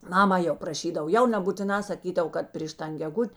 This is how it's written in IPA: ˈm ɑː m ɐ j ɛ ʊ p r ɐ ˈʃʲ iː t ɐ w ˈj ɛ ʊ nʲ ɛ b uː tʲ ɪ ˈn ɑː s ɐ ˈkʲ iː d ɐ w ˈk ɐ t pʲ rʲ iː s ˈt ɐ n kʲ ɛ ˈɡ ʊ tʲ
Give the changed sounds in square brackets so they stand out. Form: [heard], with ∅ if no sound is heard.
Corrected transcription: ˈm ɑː m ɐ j ɛ ʊ p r ɐ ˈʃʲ iː [d] ɐ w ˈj ɛ ʊ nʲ ɛ b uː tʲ ɪ ˈn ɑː s ɐ ˈkʲ iː d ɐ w ˈk ɐ t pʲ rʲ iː [ʃ] ˈt ɐ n [ɡʲ] ɛ ˈɡ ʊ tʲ